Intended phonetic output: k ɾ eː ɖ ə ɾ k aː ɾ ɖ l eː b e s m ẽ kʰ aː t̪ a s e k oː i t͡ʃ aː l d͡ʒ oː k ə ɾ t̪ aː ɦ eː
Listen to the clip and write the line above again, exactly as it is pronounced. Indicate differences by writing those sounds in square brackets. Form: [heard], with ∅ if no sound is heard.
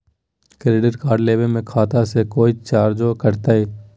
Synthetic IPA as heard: k ɾ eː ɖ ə ɾ k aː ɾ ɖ l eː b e [∅] m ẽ kʰ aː t̪ a s e k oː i t͡ʃ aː [ɾ] d͡ʒ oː k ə ɾ t̪ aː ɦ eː